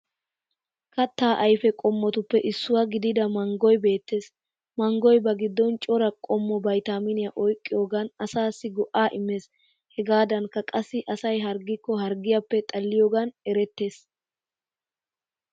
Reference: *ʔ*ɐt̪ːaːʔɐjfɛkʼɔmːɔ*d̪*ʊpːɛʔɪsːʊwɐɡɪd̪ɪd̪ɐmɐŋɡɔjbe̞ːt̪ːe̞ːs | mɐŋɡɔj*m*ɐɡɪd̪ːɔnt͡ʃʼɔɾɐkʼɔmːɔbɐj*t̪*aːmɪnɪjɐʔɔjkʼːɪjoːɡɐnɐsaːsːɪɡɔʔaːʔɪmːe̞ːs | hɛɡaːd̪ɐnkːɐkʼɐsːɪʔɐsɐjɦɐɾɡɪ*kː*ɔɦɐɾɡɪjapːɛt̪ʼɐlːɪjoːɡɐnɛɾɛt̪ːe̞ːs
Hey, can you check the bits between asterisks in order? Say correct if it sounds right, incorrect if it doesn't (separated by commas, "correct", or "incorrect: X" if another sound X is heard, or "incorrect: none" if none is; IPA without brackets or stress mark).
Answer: incorrect: k, incorrect: t̪, incorrect: b, correct, correct